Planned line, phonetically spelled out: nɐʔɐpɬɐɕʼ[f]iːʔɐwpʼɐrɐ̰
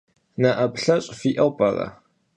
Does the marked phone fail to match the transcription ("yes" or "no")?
no